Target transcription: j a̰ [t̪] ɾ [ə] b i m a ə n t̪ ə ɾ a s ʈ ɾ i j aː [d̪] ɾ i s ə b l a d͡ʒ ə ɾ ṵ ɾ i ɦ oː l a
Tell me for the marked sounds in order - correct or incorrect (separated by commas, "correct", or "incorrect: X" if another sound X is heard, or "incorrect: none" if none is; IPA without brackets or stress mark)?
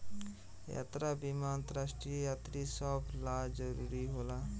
correct, incorrect: a, incorrect: t̪